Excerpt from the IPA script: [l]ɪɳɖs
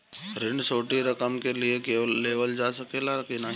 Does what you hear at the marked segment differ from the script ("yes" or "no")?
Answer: yes